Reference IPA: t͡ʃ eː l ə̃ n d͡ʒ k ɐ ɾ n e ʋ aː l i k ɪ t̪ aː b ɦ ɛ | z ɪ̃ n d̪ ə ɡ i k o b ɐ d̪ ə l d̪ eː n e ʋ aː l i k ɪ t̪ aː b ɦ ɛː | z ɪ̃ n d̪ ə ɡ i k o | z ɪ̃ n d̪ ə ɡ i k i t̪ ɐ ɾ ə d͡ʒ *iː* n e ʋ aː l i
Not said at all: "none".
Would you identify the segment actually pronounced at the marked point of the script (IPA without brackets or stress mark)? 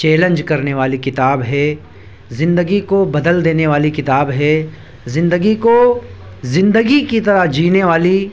iː